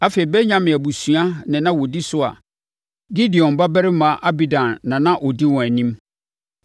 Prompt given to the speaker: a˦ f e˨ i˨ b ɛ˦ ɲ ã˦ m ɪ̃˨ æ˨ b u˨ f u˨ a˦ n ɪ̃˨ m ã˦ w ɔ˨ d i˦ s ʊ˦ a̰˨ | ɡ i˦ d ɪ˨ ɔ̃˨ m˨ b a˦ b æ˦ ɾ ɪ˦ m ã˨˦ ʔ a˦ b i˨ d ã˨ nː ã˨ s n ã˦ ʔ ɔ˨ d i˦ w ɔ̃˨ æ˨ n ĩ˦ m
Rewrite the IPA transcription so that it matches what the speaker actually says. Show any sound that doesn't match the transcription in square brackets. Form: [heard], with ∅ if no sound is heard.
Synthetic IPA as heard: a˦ f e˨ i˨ b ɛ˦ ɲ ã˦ m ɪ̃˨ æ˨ b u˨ [s] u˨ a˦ n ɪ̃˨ [n] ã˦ w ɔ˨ d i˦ s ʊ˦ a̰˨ | ɡ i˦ d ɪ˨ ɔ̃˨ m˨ b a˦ b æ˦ ɾ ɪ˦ m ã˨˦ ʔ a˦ b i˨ d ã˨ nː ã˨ [∅] n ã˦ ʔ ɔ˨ d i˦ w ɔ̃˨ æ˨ n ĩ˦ m